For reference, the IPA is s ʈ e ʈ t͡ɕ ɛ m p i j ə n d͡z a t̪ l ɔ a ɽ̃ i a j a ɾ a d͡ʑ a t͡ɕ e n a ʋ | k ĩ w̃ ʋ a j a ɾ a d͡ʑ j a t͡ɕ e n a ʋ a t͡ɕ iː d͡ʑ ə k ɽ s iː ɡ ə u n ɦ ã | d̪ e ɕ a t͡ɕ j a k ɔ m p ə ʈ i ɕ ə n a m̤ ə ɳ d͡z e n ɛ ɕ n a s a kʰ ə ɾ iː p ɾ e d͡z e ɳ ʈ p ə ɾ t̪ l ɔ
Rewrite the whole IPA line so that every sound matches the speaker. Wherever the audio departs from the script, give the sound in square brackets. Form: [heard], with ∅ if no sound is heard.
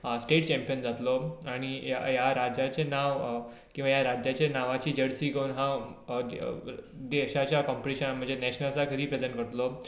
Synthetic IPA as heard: s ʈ e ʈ t͡ɕ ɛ m p i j ə n d͡z a t̪ l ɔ a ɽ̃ i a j a ɾ a d͡ʑ a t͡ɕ e n a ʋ | k ĩ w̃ ʋ a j a ɾ a d͡ʑ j a t͡ɕ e n a ʋ a t͡ɕ iː d͡ʑ ə [∅] ɽ s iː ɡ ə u n ɦ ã | d̪ e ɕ a t͡ɕ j a k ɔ m p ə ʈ i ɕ ə n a m̤ ə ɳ d͡z e n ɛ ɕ n a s a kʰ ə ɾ iː p ɾ e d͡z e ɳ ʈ [k] ə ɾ t̪ l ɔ